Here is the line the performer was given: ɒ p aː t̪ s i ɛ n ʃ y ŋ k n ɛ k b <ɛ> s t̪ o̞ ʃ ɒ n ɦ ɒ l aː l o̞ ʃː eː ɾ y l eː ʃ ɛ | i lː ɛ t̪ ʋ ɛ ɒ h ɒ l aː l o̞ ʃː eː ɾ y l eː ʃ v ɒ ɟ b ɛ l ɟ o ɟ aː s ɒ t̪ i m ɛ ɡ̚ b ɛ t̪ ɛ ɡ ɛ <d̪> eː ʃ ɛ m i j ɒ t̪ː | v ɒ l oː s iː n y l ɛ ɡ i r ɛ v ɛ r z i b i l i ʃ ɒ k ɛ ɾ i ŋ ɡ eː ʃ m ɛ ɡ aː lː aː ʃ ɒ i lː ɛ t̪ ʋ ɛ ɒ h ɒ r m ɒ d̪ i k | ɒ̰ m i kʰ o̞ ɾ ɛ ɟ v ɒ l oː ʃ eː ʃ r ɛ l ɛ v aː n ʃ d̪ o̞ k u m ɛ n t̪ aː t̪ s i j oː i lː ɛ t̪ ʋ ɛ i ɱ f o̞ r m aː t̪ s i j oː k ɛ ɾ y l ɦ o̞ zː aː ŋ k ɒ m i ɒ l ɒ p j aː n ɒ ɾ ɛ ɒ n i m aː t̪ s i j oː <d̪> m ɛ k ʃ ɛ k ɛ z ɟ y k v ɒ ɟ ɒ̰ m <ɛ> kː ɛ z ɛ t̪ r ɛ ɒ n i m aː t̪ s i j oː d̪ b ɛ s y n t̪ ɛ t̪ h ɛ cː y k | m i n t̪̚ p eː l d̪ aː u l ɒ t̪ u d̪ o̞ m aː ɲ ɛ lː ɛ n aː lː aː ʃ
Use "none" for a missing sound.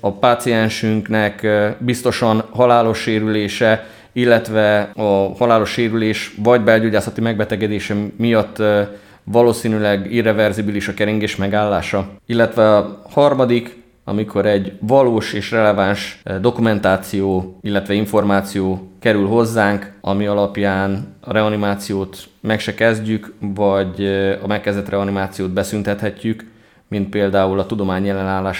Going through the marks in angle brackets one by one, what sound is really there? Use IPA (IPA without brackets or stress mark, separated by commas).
i, d̪, t̪, ɛ